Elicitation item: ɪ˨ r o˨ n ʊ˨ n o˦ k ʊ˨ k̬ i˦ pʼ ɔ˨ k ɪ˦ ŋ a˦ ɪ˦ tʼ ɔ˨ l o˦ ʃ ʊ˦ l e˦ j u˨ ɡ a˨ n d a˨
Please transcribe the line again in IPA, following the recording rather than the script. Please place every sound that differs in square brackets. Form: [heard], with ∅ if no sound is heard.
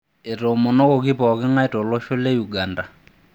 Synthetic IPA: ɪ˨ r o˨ [m] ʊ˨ n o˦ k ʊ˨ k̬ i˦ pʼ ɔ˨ k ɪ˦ ŋ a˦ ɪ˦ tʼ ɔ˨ l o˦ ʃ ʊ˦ l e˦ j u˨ ɡ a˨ n d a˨